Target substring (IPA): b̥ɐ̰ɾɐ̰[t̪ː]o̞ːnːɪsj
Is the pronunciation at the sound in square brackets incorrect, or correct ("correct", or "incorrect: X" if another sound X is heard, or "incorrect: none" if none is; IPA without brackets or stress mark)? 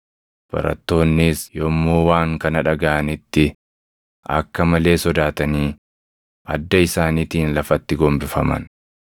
correct